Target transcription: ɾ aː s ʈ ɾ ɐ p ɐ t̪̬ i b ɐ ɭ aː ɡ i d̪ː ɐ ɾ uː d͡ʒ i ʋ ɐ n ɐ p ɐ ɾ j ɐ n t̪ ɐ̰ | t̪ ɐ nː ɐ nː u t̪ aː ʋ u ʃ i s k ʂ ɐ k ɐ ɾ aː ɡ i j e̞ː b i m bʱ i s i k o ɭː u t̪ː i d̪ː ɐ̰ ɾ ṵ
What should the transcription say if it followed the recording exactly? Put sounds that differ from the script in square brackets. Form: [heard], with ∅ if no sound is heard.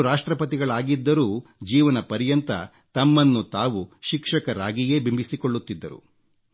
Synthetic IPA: ɾ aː [ʂ] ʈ ɾ ɐ p ɐ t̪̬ i [ɡ] ɐ ɭ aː ɡ i d̪ː ɐ ɾ uː d͡ʒ [iː] ʋ ɐ n ɐ p ɐ ɾ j ɐ n t̪ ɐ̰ | t̪ ɐ [mː] ɐ nː u t̪ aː ʋ u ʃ i [∅] k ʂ ɐ k ɐ ɾ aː ɡ i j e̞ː b i m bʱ i s i k o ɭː u t̪ː i d̪ː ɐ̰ ɾ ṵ